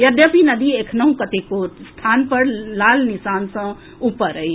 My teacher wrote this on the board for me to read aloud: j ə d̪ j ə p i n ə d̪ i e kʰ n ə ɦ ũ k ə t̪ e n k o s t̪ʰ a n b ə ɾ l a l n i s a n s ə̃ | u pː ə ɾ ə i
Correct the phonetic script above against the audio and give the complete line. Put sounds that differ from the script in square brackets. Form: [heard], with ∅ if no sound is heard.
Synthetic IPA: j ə d̪ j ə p i n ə d̪ i e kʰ n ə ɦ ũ k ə t̪ e [∅] k o s t̪ʰ a n [p] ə ɾ l a l n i s a n s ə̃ | u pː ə ɾ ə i